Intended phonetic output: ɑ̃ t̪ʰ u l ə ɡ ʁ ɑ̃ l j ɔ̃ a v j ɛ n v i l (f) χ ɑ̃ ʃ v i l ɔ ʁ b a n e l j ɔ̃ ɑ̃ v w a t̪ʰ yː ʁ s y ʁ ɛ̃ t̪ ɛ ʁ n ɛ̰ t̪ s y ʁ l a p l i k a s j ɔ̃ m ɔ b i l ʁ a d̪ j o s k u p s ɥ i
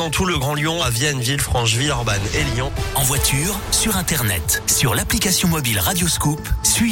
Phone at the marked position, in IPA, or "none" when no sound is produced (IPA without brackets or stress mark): f